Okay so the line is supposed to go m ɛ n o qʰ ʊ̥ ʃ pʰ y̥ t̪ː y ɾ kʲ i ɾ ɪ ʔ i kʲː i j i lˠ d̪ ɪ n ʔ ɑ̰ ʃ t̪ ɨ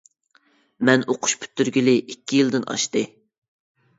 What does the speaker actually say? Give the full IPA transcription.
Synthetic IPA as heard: m ɛ n o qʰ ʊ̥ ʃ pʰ y̥ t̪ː y ɾ ɡʲ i l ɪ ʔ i kʲː i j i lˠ d̪ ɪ n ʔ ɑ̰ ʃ t̪ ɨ